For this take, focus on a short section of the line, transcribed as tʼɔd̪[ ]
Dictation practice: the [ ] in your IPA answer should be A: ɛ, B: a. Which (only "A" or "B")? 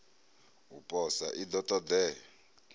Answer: A